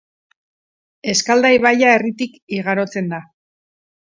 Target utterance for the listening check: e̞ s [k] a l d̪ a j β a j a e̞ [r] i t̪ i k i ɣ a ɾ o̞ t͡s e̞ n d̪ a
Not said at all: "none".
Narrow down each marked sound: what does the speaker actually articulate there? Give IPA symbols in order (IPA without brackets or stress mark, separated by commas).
k, r